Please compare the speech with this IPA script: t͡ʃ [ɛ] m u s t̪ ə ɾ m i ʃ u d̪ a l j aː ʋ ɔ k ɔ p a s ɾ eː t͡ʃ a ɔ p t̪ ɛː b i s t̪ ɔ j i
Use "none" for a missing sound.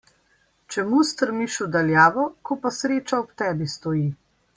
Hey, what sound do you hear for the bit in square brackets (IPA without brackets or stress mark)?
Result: ɛ